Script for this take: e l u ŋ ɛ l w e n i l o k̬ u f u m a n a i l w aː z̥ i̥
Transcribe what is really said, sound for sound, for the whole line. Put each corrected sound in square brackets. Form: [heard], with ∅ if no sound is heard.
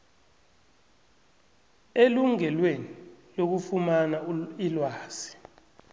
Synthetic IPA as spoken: e l u ŋ ɛ l w e n i l o k̬ u f u m a n a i l w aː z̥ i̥